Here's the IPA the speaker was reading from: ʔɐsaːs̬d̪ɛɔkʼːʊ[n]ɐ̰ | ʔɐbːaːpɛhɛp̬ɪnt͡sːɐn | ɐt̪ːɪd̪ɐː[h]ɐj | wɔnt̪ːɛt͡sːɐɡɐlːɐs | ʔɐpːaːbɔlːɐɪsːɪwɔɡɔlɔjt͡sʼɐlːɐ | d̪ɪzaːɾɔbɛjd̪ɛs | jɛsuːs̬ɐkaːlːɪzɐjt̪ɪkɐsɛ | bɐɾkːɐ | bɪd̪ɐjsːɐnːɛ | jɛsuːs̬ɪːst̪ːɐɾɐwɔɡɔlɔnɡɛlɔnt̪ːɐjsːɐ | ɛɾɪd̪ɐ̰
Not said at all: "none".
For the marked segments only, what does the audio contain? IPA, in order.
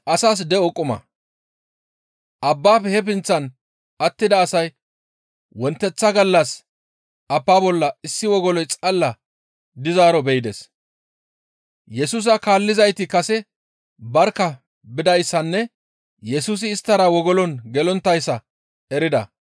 m, s

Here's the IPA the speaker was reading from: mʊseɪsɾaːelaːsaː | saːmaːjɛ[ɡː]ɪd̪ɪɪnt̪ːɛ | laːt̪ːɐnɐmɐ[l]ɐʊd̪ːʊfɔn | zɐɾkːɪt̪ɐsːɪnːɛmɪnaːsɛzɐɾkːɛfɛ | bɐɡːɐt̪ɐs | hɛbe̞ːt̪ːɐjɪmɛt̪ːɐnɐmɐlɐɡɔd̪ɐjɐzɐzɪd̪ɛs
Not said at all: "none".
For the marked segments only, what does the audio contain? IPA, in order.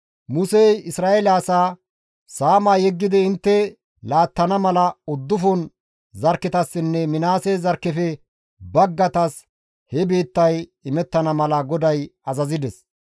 ɡː, l

